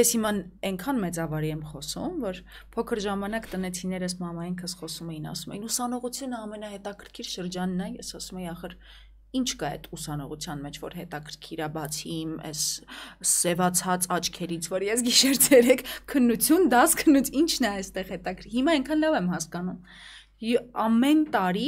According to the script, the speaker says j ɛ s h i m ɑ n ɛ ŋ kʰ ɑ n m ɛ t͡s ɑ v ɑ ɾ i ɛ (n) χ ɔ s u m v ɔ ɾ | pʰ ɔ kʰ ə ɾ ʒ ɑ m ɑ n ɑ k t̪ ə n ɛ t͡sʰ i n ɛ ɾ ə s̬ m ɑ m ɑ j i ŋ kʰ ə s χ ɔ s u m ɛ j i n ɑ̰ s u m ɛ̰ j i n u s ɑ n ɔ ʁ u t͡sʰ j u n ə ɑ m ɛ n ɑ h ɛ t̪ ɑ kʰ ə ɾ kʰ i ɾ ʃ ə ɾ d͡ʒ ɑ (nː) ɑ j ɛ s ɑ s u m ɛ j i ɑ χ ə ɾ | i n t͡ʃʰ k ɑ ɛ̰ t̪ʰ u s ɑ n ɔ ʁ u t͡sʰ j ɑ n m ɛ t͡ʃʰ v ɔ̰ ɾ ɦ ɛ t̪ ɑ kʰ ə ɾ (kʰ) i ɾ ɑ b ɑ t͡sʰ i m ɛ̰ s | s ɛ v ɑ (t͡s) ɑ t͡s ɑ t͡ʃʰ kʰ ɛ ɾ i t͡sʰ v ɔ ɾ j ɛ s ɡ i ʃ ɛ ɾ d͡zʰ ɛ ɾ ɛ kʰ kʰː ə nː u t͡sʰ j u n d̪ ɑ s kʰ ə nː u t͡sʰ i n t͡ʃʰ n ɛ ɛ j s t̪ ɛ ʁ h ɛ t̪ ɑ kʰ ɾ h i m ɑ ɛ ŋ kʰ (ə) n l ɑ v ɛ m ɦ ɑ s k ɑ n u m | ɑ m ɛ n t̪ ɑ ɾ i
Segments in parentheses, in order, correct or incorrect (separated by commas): incorrect, correct, correct, incorrect, incorrect